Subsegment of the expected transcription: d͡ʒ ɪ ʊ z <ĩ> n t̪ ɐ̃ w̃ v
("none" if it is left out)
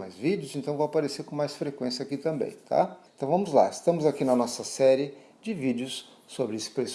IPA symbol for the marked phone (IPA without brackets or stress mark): ẽ